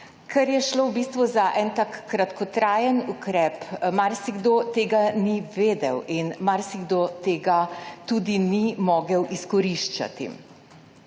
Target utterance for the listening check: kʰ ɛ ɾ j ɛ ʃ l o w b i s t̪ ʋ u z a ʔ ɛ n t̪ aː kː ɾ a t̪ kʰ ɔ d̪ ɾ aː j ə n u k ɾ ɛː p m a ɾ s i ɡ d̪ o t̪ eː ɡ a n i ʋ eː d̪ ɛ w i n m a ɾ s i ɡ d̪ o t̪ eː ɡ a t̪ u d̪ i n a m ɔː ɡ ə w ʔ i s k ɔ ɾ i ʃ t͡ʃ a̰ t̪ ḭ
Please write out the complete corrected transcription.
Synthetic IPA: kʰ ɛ ɾ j ɛ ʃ l o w b i s t̪ ʋ u z a ʔ ɛ n t̪ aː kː ɾ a t̪ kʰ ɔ t̪ ɾ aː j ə n u k ɾ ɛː p m a ɾ s i ɡ d̪ o t̪ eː ɡ a n i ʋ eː d̪ ɛ w i n m a ɾ s i ɡ d̪ o t̪ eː ɡ a t̪ u d̪ i n i m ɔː ɡ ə w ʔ i s k ɔ ɾ i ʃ t͡ʃ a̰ t̪ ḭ